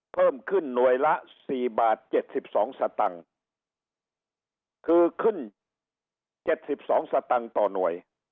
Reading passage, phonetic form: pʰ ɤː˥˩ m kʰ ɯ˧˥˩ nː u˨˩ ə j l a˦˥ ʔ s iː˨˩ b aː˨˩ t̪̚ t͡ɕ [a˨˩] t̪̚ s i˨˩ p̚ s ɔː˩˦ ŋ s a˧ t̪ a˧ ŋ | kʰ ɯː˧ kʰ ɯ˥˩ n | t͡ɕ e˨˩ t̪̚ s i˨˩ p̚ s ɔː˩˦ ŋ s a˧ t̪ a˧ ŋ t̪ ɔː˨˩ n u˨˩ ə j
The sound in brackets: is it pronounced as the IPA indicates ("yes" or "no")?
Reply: no